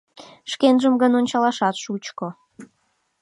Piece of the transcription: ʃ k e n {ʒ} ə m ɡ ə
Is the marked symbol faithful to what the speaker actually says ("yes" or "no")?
yes